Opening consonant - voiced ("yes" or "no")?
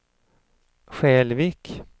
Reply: no